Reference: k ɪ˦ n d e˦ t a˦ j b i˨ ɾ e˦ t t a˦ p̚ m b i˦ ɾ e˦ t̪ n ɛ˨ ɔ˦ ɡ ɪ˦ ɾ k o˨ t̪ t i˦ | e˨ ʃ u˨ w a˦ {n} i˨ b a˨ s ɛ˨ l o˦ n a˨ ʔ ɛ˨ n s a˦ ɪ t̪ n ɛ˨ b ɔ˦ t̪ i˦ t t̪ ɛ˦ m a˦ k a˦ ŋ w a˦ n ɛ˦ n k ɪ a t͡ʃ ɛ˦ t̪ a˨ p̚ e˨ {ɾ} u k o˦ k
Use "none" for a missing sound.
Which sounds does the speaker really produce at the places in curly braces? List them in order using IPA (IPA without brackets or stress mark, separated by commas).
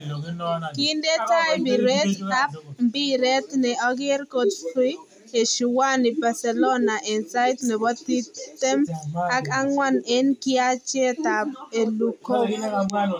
n, l